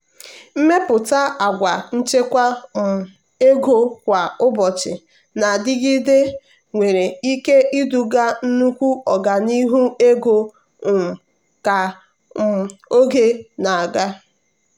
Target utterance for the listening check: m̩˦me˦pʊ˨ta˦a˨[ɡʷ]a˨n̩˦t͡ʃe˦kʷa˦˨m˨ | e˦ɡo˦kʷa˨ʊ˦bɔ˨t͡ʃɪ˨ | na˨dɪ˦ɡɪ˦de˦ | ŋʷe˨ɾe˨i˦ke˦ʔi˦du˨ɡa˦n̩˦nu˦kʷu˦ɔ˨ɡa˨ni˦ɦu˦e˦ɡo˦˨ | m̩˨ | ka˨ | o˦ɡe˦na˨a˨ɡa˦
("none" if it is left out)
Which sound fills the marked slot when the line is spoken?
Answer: ɡʷ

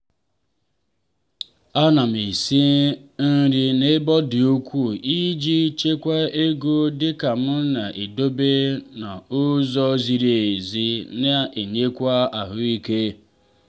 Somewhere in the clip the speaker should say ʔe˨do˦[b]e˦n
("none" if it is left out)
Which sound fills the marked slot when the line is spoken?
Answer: b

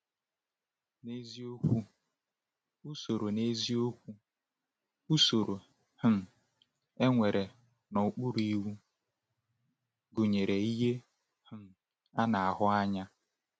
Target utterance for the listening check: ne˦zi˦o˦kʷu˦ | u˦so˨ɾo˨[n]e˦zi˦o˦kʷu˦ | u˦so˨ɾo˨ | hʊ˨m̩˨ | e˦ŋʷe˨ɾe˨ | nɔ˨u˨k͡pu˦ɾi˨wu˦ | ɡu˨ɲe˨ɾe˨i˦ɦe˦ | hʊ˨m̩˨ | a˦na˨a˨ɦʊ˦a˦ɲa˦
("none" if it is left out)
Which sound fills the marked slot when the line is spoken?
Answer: n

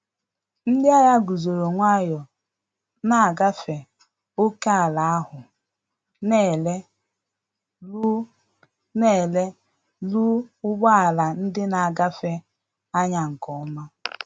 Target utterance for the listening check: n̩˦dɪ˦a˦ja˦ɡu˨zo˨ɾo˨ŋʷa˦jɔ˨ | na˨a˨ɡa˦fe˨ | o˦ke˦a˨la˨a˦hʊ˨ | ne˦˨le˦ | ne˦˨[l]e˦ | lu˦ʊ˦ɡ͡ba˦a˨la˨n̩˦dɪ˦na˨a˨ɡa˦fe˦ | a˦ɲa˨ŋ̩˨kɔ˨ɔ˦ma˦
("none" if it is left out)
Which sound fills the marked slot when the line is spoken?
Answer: l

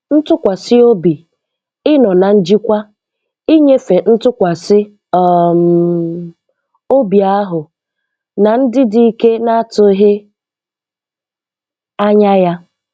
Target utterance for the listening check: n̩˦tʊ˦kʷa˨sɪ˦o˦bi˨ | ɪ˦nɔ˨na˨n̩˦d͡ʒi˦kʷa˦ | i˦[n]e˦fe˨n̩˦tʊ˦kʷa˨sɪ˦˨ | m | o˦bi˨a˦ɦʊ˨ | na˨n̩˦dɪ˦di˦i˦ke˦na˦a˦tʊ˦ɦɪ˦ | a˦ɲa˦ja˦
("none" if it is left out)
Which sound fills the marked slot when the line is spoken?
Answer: ɲ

